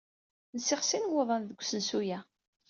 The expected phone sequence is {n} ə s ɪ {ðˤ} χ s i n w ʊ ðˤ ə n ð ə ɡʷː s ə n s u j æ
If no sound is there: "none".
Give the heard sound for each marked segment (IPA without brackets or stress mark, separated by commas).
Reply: n, none